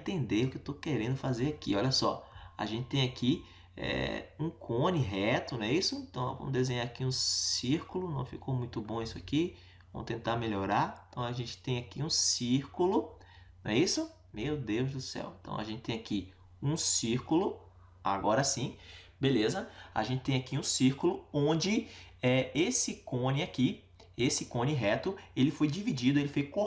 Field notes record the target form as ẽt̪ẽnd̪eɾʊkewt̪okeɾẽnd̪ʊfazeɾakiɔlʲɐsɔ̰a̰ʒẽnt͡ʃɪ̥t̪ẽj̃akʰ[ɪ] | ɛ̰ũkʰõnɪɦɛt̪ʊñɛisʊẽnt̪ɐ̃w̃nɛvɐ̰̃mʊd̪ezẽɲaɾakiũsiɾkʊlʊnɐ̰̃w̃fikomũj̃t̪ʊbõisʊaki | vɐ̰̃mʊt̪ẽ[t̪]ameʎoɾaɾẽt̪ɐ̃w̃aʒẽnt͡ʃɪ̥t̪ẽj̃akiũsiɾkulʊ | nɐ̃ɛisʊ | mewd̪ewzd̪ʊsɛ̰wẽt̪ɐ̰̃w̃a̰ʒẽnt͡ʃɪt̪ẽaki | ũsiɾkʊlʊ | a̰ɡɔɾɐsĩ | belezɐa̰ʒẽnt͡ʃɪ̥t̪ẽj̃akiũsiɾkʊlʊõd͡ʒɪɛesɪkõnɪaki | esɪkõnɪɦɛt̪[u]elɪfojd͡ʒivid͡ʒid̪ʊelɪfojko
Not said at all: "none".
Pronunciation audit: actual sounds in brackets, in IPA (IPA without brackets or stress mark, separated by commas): i, t̪, ʊ